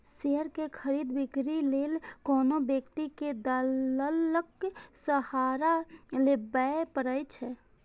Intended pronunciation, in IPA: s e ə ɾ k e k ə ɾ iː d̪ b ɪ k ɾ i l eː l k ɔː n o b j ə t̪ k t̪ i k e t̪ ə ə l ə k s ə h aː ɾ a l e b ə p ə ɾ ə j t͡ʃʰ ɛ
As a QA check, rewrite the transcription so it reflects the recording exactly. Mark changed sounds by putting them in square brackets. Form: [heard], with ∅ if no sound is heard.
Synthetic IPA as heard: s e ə ɾ k e [kʰ] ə ɾ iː d̪ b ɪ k ɾ i l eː l k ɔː n o b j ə [∅] k t̪ i k e [d̪] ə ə l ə k s ə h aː ɾ a l e b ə p ə ɾ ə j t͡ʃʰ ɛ